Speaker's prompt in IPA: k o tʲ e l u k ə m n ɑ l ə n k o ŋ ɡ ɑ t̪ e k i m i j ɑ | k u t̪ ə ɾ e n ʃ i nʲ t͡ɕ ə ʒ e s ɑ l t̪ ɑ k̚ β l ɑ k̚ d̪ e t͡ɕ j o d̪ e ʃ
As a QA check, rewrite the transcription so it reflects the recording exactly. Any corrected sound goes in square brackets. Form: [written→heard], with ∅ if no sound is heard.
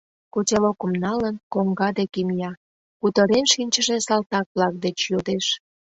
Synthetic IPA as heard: k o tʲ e l [u→o] k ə m n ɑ l ə n k o ŋ ɡ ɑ [t̪→d̪] e k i m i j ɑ | k u t̪ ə ɾ e n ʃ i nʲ t͡ɕ ə ʒ e s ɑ l t̪ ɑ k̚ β l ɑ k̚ d̪ e t͡ɕ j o d̪ e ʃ